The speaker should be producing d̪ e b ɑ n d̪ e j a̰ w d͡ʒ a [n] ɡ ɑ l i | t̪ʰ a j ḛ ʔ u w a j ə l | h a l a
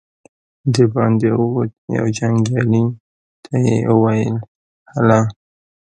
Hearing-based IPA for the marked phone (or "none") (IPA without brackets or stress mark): ŋ